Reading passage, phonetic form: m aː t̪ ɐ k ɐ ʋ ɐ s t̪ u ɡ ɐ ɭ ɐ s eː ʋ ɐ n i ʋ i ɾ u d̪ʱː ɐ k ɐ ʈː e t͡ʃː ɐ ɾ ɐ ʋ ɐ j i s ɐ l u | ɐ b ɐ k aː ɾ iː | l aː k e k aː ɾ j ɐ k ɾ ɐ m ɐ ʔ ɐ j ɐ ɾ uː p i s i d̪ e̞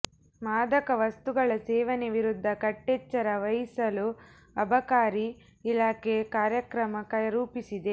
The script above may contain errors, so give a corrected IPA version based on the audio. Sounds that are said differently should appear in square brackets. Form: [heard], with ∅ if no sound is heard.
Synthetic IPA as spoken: m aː [d̪] ɐ k ɐ ʋ ɐ s t̪ u ɡ ɐ ɭ ɐ s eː ʋ ɐ n [e] ʋ i ɾ u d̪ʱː ɐ k ɐ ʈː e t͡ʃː ɐ ɾ ɐ ʋ ɐ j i s ɐ l u | ɐ b ɐ k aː ɾ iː | l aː k e k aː ɾ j ɐ k ɾ ɐ m ɐ [k] ɐ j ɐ ɾ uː p i s i d̪ e̞

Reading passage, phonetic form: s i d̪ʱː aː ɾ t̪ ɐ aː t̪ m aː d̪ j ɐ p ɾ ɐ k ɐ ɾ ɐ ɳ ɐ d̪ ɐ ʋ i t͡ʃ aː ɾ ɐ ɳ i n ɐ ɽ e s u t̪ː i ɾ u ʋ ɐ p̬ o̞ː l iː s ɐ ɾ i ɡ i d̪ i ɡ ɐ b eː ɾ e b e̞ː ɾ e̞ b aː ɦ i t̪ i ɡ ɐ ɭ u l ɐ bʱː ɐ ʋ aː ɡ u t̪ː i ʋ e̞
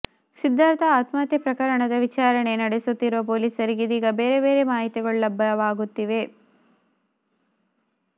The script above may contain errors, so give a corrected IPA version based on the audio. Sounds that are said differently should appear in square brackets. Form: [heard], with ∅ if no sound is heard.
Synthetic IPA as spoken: s i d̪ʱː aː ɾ t̪ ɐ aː t̪ m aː [t̪] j ɐ p ɾ ɐ k ɐ ɾ ɐ ɳ ɐ d̪ ɐ ʋ i t͡ʃ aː ɾ ɐ ɳ [e] n ɐ ɽ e s u t̪ː i ɾ u ʋ ɐ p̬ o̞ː l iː s ɐ ɾ i ɡ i d̪ [iː] ɡ ɐ b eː ɾ e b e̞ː ɾ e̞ [m] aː ɦ i t̪ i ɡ ɐ ɭ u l ɐ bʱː ɐ ʋ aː ɡ u t̪ː i ʋ e̞

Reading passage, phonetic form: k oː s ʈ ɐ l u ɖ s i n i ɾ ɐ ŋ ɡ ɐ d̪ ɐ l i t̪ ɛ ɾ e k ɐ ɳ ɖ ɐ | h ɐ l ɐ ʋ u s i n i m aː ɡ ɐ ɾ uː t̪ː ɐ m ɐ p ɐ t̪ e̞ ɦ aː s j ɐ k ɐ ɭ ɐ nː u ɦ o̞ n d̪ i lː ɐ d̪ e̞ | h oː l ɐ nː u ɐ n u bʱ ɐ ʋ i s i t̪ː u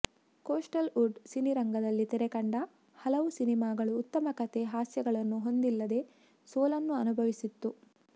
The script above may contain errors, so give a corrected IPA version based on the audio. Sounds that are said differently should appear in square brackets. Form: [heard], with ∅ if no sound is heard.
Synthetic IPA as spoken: k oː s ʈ ɐ l u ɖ s i n i ɾ ɐ ŋ ɡ ɐ d̪ ɐ [lː] i t̪ ɛ ɾ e k ɐ ɳ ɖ ɐ | h ɐ l ɐ ʋ u s i n i m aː ɡ ɐ [ɭ] uː t̪ː ɐ m ɐ [k] ɐ t̪ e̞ ɦ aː s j ɐ [ɡ] ɐ ɭ ɐ nː u ɦ o̞ n d̪ i lː ɐ d̪ e̞ | [s] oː l ɐ nː u ɐ n u bʱ ɐ ʋ i s i t̪ː u

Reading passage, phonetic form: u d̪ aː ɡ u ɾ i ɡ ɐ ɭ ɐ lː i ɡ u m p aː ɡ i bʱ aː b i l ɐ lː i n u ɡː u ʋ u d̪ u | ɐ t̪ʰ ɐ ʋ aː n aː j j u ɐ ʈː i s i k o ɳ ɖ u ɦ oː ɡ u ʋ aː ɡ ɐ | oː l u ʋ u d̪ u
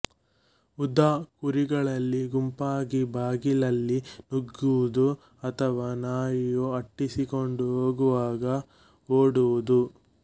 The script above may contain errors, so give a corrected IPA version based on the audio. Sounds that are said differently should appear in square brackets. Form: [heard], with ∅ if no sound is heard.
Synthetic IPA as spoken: u d̪ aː [k] u ɾ i ɡ ɐ ɭ ɐ lː i ɡ u m p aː ɡ i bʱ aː [ɡ] i l ɐ lː i n u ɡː u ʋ u d̪ u | ɐ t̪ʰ ɐ ʋ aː n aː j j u ɐ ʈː i s i k o ɳ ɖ u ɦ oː ɡ u ʋ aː ɡ ɐ | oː [ɽ] u ʋ u d̪ u

